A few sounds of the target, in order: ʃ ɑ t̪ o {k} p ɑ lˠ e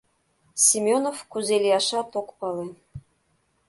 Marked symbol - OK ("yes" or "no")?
yes